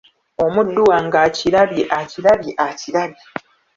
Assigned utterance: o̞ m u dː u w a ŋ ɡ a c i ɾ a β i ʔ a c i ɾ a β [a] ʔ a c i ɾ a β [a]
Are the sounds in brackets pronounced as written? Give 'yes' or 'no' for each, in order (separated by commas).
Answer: no, no